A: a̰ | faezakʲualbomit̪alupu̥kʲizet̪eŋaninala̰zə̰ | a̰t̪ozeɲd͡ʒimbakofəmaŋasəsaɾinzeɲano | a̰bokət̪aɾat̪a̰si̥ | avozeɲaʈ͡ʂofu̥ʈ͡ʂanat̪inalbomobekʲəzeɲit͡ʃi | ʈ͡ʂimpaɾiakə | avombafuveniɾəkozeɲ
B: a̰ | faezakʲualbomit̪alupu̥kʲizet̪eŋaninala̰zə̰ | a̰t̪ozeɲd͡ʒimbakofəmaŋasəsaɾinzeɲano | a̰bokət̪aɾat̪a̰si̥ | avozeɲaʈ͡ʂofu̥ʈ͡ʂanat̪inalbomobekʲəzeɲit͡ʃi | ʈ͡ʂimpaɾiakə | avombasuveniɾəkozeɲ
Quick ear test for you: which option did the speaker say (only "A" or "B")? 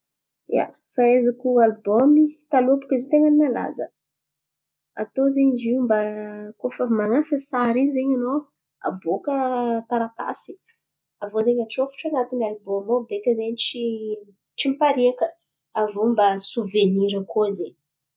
B